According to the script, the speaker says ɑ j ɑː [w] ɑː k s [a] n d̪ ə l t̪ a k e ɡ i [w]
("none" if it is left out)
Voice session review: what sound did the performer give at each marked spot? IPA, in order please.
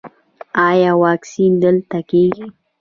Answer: w, i, none

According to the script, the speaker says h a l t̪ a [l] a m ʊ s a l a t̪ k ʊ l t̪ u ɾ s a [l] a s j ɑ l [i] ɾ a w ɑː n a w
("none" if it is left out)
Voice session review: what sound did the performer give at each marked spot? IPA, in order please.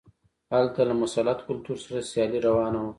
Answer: l, ɾ, i

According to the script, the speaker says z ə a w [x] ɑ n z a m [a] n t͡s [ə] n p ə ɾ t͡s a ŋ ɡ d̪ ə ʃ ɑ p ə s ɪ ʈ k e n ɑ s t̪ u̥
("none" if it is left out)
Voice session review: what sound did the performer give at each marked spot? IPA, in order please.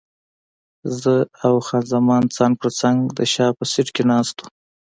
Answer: x, ɑ, ɑ

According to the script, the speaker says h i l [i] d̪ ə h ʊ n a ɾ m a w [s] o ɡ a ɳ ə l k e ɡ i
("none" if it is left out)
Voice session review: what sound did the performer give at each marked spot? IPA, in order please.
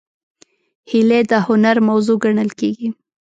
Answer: e, z

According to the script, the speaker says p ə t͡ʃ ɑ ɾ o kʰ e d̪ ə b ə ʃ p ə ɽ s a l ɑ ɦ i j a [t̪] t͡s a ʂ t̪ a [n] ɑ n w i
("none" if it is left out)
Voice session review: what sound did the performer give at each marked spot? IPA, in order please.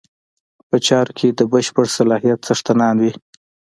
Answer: t̪, n

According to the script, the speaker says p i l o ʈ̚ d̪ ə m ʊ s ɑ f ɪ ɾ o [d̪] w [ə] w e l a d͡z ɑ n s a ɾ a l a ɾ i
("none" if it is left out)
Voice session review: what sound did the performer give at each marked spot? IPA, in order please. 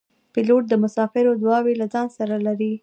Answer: d̪, ɑ

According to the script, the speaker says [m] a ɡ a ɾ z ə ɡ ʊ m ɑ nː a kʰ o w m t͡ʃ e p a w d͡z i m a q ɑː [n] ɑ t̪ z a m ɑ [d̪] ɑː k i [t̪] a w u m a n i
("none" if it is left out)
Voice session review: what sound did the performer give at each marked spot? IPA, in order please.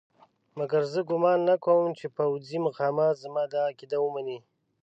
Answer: m, m, d̪, d̪

